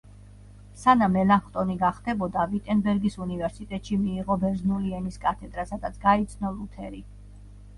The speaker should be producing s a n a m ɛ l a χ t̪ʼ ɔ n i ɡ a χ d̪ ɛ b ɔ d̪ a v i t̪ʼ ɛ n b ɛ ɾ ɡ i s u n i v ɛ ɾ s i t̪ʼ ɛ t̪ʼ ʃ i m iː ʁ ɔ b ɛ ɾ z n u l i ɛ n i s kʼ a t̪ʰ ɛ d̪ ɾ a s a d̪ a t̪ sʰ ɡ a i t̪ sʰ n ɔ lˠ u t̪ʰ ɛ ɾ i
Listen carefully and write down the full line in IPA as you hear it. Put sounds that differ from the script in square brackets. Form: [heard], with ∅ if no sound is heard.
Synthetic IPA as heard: s a n a m ɛ l a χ t̪ʼ ɔ n i ɡ a χ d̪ ɛ b ɔ d̪ a v i t̪ʼ ɛ n b ɛ ɾ ɡ i s u n i v ɛ ɾ s i t̪ʼ ɛ t̪ʼ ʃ i m iː ʁ ɔ b ɛ ɾ z n u l i ɛ n i s kʼ a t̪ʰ ɛ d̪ ɾ a s a d̪ a t̪ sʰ ɡ a i t̪ sʰ n ɔ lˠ u t̪ʰ ɛ ɾ i